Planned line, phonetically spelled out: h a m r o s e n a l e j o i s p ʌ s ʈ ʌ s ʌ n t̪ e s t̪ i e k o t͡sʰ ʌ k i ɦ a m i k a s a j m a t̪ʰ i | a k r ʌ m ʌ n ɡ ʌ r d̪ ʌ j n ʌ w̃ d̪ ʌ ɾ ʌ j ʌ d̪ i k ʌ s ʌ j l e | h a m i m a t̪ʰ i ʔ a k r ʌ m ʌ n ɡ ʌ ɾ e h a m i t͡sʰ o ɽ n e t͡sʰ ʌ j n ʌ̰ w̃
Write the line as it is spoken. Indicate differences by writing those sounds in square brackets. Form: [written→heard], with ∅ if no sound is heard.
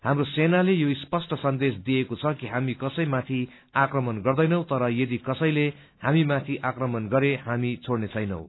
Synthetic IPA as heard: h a m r o s e n a l e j o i s p ʌ s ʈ ʌ s ʌ n [t̪→d̪] e s [t̪→d̪] i e k o t͡sʰ ʌ k i ɦ a m i k [a→ʌ] s [a→ʌ] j m a t̪ʰ i | a k r ʌ m ʌ n ɡ ʌ r d̪ ʌ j n ʌ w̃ [d̪→t̪] ʌ ɾ ʌ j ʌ d̪ i k ʌ s ʌ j l e | h a m i m a t̪ʰ i ʔ a k r ʌ m ʌ n ɡ ʌ ɾ e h a m i t͡sʰ o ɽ n e t͡sʰ ʌ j n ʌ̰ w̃